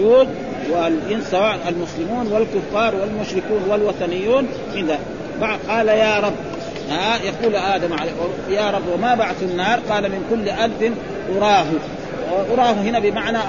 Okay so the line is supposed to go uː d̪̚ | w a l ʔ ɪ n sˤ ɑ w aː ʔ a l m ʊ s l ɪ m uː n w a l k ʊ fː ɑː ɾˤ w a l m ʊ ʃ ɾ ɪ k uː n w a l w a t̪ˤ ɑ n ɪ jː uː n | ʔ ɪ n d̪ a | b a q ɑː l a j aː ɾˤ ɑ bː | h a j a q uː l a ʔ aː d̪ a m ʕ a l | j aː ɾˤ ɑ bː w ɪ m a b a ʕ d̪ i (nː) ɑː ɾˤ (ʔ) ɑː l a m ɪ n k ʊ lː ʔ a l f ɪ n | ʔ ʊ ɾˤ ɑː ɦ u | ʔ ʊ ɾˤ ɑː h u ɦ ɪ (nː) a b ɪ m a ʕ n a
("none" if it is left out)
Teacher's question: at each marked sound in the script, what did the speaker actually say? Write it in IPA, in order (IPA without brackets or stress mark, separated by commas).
nː, q, n